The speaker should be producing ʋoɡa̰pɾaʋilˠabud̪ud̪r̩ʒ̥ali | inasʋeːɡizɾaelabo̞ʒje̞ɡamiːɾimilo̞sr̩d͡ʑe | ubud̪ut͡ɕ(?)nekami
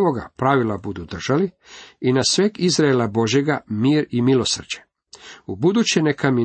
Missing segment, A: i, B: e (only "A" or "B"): B